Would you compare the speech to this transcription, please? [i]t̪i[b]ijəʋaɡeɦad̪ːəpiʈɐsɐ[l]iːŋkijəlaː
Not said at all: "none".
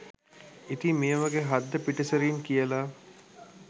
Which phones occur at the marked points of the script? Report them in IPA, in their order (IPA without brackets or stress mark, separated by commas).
i, m, ɾ